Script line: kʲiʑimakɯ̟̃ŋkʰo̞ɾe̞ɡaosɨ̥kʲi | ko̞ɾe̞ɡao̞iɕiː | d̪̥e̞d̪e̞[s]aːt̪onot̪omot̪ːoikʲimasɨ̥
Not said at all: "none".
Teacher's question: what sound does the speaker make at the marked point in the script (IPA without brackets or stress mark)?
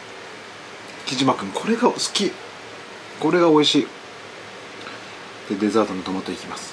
z